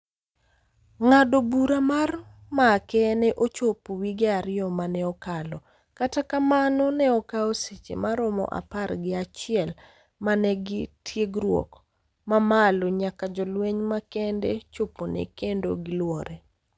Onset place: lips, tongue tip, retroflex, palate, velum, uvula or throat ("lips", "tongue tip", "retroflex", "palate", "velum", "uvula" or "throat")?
velum